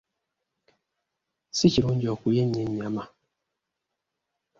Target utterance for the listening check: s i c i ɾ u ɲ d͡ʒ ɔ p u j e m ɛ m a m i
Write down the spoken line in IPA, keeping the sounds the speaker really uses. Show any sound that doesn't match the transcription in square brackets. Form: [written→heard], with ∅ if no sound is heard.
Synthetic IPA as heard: s i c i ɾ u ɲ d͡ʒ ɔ [p→k] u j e [m→ɲ] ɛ [m→ɲ] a m [i→a]